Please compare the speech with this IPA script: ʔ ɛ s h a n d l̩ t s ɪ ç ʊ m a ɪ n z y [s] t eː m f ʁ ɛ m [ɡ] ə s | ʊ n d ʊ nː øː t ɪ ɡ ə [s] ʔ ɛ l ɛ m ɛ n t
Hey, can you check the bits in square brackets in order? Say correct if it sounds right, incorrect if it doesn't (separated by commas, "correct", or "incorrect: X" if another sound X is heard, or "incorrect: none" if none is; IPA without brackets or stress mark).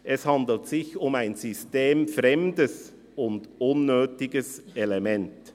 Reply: correct, incorrect: d, correct